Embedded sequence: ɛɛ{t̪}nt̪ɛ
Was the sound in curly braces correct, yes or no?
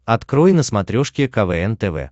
no